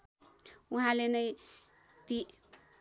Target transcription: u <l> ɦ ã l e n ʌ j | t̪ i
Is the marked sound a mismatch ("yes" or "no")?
yes